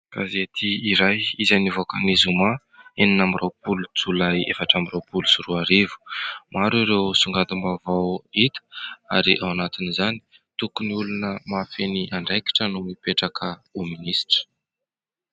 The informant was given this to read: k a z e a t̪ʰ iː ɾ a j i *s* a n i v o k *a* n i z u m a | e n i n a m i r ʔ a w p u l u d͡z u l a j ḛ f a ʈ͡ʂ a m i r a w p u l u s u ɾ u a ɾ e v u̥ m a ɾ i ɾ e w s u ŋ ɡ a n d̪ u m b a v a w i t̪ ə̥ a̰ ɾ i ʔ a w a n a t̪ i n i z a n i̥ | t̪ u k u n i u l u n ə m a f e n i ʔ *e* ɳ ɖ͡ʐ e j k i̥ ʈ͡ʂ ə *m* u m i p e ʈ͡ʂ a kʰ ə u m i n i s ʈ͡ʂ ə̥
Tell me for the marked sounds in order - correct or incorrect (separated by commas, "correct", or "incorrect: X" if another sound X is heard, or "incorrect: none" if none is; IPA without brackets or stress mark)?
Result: incorrect: z, correct, incorrect: a, incorrect: n